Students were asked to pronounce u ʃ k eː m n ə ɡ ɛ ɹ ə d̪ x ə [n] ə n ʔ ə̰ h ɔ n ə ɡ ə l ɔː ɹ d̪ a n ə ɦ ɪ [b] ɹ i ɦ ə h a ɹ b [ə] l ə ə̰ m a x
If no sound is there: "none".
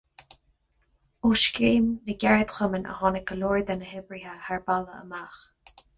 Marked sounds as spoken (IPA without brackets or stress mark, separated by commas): m, b, a